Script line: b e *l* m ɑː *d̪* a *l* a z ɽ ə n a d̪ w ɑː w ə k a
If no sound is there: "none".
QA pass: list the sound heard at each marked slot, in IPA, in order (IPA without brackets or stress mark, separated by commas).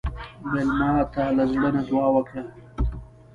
l, t̪, l